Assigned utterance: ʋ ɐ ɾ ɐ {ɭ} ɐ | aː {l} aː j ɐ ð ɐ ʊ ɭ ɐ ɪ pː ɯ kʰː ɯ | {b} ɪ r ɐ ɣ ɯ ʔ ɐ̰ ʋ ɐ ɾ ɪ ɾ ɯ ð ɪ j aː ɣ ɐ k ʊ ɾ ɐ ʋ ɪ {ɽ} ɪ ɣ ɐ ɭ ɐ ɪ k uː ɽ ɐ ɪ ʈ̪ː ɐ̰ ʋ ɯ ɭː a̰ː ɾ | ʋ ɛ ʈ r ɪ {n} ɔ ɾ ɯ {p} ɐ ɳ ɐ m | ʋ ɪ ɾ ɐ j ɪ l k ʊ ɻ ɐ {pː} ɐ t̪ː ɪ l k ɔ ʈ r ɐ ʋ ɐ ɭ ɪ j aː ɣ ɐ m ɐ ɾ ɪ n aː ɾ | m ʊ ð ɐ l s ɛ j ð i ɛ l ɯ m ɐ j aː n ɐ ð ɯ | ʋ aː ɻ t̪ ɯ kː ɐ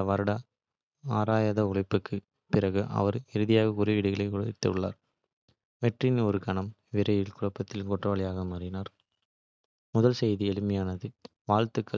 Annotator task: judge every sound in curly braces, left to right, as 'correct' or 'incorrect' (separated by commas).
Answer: incorrect, incorrect, incorrect, correct, correct, incorrect, correct